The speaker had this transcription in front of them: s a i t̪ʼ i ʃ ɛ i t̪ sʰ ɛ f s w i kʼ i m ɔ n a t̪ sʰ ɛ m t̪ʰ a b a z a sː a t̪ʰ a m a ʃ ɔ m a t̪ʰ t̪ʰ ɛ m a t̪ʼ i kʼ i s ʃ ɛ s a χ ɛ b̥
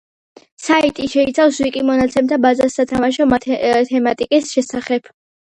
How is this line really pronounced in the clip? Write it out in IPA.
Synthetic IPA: s a i t̪ʼ i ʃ ɛ i t̪ sʰ a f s w i kʼ i m ɔ n a t̪ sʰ ɛ m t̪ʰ a b a z a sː a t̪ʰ a m a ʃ ɔ m a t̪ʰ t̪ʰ ɛ m a t̪ʼ i kʼ i s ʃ ɛ s a χ ɛ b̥